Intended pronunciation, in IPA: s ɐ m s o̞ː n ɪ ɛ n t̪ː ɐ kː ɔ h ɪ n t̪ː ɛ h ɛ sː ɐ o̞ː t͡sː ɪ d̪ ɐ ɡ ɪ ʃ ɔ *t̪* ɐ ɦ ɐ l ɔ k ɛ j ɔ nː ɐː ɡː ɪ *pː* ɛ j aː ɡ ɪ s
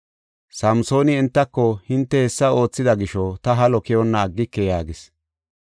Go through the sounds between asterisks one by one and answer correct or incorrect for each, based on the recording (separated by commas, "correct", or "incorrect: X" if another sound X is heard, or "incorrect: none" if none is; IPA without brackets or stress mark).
correct, incorrect: kː